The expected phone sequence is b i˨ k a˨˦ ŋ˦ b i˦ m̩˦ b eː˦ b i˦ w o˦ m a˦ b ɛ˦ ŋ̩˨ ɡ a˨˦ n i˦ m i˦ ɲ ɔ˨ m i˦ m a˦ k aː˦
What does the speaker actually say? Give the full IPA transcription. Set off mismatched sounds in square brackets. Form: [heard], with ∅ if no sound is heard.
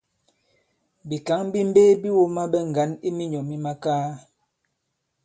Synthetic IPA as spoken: b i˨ k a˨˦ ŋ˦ b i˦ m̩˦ b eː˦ b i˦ w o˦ m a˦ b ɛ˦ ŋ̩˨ ɡ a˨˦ n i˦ m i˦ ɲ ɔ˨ m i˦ m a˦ k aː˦